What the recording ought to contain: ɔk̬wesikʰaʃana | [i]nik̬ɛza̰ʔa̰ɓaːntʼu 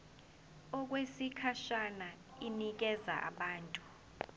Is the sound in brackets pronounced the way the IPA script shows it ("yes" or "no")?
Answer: yes